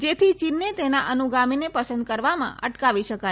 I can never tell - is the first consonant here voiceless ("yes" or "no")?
no